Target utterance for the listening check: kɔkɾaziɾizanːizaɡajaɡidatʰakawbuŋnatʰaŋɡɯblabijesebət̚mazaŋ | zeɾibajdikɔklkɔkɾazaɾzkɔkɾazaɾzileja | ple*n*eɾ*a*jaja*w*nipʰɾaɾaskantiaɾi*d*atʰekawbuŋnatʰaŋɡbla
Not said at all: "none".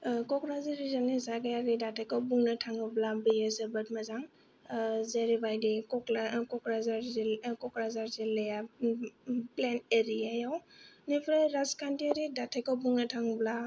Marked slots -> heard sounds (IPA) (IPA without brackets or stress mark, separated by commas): n, i, w, d